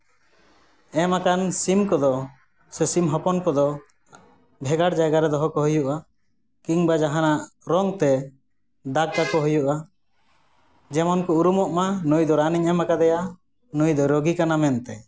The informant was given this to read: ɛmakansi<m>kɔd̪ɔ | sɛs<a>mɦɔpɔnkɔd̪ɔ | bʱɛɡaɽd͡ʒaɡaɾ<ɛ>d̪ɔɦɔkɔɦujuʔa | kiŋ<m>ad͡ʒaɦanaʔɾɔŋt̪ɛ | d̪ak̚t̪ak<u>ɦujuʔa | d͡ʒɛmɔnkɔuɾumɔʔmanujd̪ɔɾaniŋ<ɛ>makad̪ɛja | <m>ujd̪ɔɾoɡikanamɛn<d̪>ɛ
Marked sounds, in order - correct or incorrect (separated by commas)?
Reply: correct, incorrect, correct, incorrect, incorrect, correct, incorrect, incorrect